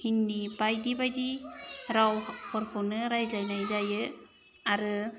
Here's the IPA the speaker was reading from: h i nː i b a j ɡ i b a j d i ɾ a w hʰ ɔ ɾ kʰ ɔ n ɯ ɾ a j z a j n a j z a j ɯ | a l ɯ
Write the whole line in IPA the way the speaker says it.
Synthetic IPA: h i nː i b a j d i b a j d i ɾ a w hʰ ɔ ɾ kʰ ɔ n ɯ ɾ a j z a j n a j z a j ɯ | a ɾ ɯ